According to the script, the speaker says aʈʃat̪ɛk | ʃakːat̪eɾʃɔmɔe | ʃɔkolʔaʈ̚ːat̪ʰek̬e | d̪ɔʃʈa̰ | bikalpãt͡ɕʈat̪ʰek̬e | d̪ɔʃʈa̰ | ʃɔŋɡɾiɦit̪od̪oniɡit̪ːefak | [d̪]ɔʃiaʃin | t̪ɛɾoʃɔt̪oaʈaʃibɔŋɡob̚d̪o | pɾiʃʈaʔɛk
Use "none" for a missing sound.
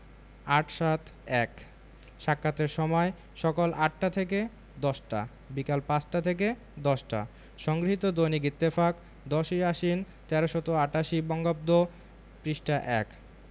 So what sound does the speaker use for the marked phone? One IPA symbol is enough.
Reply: d̪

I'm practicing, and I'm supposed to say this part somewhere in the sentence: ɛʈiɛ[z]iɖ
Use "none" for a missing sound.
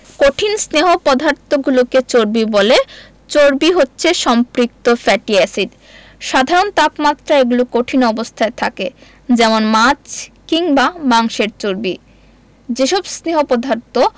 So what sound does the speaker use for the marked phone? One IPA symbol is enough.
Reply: s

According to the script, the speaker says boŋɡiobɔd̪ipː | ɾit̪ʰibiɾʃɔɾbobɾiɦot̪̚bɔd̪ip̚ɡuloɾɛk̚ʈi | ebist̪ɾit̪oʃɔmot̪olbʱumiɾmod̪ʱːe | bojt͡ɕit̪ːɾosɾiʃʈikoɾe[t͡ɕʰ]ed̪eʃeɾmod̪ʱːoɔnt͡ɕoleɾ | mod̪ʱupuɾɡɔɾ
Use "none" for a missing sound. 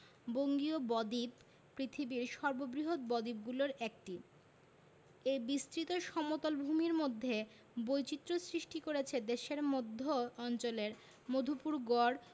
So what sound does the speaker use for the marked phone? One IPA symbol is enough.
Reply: t͡ɕʰ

